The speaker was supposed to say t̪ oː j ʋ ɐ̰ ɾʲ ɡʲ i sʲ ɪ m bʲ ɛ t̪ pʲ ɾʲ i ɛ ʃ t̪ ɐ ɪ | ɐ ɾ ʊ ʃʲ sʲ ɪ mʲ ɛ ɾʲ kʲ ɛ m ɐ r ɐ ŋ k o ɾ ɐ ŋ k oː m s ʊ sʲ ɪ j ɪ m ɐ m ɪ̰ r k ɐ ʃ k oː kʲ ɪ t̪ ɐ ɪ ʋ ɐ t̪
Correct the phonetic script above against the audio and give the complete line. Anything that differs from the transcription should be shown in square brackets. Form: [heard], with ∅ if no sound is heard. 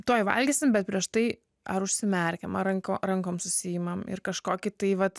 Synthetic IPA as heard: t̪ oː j ʋ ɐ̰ [lʲ] ɡʲ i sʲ ɪ m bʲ ɛ t̪ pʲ ɾʲ i ɛ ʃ t̪ ɐ ɪ | ɐ ɾ ʊ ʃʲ sʲ ɪ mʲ ɛ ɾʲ kʲ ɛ m ɐ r ɐ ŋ k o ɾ ɐ ŋ k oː m s ʊ sʲ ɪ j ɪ m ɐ m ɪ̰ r k ɐ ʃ k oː kʲ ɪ t̪ ɐ ɪ ʋ ɐ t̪

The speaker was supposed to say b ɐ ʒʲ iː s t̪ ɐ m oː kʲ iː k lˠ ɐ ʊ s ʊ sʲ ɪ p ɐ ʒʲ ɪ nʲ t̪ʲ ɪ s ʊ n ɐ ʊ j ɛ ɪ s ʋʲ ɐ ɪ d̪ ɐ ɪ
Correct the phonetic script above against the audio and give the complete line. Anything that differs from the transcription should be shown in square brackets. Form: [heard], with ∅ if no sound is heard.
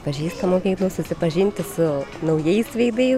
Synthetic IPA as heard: [p] ɐ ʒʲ iː s t̪ ɐ m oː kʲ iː k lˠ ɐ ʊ s ʊ sʲ ɪ p ɐ ʒʲ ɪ nʲ t̪ʲ ɪ s ʊ n ɐ ʊ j ɛ ɪ s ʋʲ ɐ ɪ d̪ ɐ ɪ

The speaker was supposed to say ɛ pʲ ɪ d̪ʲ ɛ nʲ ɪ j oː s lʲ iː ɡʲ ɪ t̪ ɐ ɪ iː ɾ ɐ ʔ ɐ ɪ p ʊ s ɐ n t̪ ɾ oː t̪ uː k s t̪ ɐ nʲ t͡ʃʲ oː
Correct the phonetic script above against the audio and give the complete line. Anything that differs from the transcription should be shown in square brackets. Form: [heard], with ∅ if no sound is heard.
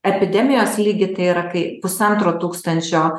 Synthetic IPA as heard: ɛ pʲ ɪ d̪ʲ ɛ [mʲ] ɪ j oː s lʲ iː ɡʲ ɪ t̪ ɐ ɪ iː ɾ ɐ [k] ɐ ɪ p ʊ s ɐ n t̪ ɾ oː t̪ uː k s t̪ ɐ nʲ t͡ʃʲ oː

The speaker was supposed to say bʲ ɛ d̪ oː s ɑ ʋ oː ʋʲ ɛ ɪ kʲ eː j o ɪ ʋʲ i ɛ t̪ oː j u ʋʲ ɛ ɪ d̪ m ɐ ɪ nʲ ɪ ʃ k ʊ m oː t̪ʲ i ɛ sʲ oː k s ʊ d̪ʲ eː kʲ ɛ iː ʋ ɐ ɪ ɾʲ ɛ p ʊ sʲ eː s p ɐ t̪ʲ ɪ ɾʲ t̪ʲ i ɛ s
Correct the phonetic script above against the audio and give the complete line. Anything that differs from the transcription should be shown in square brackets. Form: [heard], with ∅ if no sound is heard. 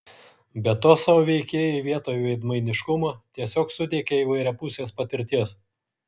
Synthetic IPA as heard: bʲ ɛ [t̪] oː s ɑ ʋ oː ʋʲ ɛ ɪ kʲ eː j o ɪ ʋʲ i ɛ t̪ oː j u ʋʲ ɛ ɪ d̪ m ɐ ɪ nʲ ɪ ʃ k ʊ m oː t̪ʲ i ɛ sʲ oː k s ʊ d̪ʲ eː kʲ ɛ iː ʋ ɐ ɪ ɾʲ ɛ p ʊ sʲ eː s p ɐ t̪ʲ ɪ ɾʲ t̪ʲ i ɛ s

